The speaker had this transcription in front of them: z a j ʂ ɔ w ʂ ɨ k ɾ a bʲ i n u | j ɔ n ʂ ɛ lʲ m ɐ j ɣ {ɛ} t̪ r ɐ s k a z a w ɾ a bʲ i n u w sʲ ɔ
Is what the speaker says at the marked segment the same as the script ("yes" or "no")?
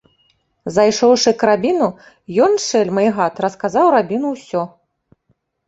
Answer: no